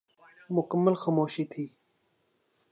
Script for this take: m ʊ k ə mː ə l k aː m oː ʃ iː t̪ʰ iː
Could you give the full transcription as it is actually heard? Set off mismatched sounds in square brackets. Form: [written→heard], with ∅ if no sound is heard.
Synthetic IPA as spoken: m ʊ k ə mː ə l [k→x] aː m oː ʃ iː t̪ʰ iː